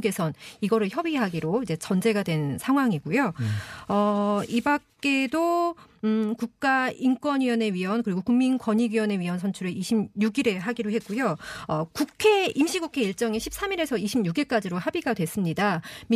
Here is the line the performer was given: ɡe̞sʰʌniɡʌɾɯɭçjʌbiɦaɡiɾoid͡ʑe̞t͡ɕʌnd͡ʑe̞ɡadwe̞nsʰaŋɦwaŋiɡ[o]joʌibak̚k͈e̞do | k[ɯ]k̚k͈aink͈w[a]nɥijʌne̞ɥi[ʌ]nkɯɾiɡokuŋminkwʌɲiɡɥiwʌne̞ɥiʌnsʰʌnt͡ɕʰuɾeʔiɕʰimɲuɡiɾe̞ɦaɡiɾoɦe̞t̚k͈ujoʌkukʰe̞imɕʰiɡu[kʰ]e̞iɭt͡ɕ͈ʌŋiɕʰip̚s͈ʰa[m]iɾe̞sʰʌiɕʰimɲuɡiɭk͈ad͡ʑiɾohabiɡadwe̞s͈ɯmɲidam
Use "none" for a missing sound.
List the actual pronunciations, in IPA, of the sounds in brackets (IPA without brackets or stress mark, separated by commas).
u, u, ʌ, ʌ, kʰ, m